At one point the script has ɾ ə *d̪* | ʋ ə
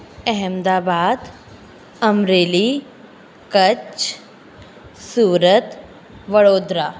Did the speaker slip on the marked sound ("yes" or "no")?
yes